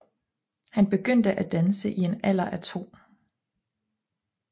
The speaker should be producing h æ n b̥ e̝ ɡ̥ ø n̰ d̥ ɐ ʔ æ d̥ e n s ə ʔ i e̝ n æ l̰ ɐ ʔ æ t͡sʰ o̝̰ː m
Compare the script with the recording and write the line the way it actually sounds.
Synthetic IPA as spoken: h æ n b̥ e̝ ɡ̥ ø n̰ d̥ ə ʔ æ d̥ æ n s ə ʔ i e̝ n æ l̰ ɐ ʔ æ t͡sʰ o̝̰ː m